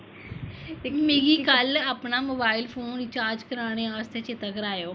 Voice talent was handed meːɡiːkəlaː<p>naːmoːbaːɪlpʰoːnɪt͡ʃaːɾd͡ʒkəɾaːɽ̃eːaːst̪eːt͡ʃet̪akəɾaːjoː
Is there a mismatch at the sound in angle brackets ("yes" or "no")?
no